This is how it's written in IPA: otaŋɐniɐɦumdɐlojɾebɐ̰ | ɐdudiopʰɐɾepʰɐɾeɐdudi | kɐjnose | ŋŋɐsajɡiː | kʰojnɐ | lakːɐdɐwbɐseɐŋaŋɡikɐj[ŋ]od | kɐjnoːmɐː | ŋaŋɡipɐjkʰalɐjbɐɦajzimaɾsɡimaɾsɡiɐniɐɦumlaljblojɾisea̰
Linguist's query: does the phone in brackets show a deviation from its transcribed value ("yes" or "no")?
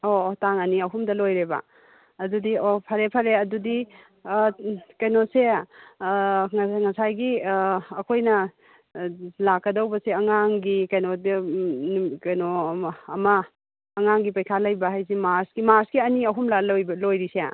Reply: yes